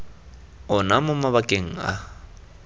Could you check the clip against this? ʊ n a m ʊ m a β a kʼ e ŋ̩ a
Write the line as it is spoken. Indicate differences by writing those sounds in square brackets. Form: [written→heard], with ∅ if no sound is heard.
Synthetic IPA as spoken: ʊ n a m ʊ m a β a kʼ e ŋ̩ a